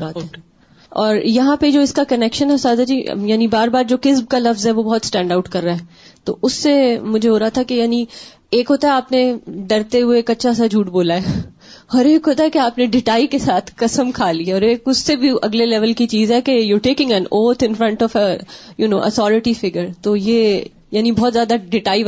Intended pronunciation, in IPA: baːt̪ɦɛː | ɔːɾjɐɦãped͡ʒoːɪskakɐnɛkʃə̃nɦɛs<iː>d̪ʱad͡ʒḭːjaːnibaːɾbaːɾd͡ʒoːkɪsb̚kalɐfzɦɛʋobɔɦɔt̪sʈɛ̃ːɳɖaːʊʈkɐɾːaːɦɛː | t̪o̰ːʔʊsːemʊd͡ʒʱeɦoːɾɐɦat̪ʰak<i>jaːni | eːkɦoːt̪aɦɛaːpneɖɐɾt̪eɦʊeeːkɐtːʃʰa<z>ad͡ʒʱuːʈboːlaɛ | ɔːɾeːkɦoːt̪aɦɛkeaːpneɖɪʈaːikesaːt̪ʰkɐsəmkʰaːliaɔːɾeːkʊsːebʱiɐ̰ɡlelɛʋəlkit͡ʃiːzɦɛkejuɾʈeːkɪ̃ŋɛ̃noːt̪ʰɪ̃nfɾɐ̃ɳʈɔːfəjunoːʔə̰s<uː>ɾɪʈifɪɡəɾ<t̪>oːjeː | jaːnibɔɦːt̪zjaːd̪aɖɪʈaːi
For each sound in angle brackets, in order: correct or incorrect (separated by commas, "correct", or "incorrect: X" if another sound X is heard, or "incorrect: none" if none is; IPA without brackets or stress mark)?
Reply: incorrect: aː, incorrect: e, incorrect: s, incorrect: ɔː, correct